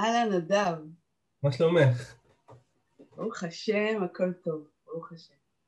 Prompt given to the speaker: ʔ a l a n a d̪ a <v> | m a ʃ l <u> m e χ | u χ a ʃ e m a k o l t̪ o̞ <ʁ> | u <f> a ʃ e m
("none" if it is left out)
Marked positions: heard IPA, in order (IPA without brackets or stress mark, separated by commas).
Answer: v, o, v, χ